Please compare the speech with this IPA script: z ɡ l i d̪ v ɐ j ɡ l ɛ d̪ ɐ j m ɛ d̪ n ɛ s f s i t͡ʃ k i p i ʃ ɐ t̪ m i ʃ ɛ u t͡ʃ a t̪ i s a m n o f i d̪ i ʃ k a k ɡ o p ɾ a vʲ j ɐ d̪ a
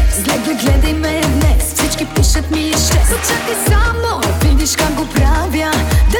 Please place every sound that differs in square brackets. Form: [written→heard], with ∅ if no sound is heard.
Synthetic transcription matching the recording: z ɡ l [i→ɛ] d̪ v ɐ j ɡ l ɛ d̪ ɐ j m ɛ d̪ n ɛ s f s i t͡ʃ k i p i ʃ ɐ t̪ m i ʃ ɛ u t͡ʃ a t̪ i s a m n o [f→v] i d̪ i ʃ k a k ɡ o p ɾ a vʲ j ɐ d̪ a